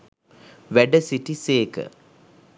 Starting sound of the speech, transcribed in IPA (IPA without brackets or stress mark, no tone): ʋ